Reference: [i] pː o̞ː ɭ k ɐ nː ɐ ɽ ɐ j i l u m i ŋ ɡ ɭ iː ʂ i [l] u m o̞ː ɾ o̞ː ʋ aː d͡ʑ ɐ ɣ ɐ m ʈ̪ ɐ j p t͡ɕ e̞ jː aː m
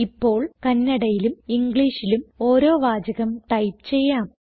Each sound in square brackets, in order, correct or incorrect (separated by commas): correct, correct